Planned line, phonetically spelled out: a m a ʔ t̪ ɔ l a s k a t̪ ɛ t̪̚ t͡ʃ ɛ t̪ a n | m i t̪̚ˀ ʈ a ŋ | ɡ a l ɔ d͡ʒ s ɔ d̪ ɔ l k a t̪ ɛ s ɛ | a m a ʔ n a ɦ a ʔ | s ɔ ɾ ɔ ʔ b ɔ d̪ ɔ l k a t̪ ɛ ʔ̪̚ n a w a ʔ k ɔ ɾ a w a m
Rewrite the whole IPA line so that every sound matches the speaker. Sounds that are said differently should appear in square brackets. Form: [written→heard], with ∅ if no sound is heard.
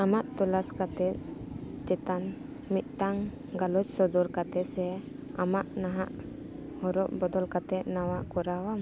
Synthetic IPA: a m a ʔ t̪ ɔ l a s k a t̪ ɛ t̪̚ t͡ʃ ɛ t̪ a n | m i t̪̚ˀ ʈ a ŋ | ɡ a l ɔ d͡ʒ s ɔ d̪ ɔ [l→ɾ] k a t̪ ɛ s ɛ | a m a ʔ n a ɦ a ʔ | [s→h] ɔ ɾ ɔ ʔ b ɔ d̪ ɔ l k a t̪ ɛ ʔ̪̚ n a w a ʔ k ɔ ɾ a w a m

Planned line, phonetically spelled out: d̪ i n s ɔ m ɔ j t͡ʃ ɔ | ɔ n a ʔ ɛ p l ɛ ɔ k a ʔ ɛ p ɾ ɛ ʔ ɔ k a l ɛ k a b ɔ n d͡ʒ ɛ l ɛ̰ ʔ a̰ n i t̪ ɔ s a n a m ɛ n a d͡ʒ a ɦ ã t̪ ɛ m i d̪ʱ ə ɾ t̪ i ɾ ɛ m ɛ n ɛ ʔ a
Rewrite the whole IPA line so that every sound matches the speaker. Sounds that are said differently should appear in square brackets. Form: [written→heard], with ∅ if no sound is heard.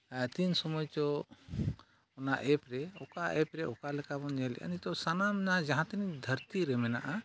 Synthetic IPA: [d̪→t̪] i n s ɔ m ɔ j t͡ʃ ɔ | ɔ n a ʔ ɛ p [l→ɾ] ɛ ɔ k a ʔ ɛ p ɾ ɛ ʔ ɔ k a l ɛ k a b ɔ n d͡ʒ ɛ l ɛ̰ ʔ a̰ n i t̪ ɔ s a n a m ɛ n a d͡ʒ a ɦ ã t̪ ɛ [m→n] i d̪ʱ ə ɾ t̪ i ɾ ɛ m ɛ n [ɛ→a] ʔ a

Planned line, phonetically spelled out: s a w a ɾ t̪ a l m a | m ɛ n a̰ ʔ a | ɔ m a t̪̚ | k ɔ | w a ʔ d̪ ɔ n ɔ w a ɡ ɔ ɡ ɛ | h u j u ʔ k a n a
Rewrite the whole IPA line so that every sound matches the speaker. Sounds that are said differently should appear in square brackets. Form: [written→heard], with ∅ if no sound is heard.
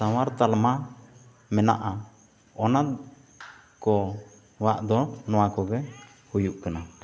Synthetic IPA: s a w a ɾ t̪ a l m a | m ɛ n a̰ ʔ a | ɔ [m→n] a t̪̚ | k ɔ | w a ʔ d̪ ɔ n ɔ w a [ɡ→k] ɔ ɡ ɛ | h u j u ʔ k a n a

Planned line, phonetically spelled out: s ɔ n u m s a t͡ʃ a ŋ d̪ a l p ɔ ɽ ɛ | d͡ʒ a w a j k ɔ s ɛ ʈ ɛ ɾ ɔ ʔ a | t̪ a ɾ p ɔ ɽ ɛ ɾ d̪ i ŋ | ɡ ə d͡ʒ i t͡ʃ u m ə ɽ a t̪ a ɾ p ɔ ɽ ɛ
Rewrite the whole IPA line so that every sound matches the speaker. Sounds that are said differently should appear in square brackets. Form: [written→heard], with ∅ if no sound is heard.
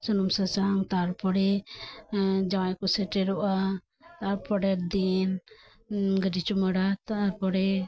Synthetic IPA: s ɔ n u m s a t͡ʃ a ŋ [d̪→t̪] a [l→ɾ] p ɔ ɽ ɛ | d͡ʒ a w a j k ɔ s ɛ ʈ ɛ ɾ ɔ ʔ a | t̪ a ɾ p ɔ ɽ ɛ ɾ d̪ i [ŋ→n] | ɡ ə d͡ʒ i t͡ʃ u m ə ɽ a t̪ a ɾ p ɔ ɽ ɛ

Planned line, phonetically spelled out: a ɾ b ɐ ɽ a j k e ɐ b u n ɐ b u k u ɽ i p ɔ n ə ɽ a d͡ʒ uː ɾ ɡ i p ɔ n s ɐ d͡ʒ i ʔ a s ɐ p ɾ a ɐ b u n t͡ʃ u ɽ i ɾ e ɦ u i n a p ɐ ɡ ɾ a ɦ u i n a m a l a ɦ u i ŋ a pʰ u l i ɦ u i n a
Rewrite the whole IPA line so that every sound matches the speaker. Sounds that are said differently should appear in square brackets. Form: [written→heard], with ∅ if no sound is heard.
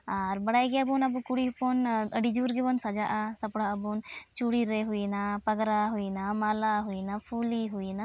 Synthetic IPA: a ɾ b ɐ ɽ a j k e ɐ b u n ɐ b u k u ɽ i p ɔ n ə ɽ [a→i] d͡ʒ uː ɾ ɡ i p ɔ n s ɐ d͡ʒ [i→a] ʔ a s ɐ p [ɾ→ɽ] a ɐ b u n t͡ʃ u ɽ i ɾ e ɦ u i n a p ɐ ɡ ɾ a ɦ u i n a m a l a ɦ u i [ŋ→n] a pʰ u l i ɦ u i n a

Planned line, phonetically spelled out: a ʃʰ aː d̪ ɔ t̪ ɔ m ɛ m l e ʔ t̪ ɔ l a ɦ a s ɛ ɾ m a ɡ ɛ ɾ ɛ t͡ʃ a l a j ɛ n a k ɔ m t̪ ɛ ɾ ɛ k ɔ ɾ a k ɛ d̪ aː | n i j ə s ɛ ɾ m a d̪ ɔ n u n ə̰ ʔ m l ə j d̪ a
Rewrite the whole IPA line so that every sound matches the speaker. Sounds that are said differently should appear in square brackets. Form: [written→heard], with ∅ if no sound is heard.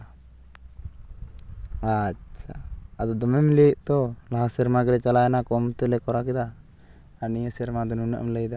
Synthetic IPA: a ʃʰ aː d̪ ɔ [t̪→d̪] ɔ m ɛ m l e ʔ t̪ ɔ l a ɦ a s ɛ ɾ m a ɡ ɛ ɾ ɛ t͡ʃ a l a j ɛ n a k ɔ m t̪ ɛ [ɾ→l] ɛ k ɔ ɾ a k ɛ d̪ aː | n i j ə s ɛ ɾ m a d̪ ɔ n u n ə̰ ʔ m l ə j d̪ a

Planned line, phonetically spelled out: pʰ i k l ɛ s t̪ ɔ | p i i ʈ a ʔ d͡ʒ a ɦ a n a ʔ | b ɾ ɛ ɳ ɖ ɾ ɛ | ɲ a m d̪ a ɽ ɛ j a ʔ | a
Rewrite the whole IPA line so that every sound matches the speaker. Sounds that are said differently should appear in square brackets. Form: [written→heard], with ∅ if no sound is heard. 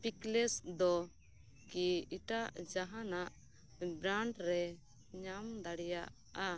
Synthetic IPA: [pʰ→p] i k l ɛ s [t̪→d̪] ɔ | [p→k] i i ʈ a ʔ d͡ʒ a ɦ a n a ʔ | b ɾ [ɛ→a] ɳ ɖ ɾ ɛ | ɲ a m d̪ a ɽ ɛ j a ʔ | a

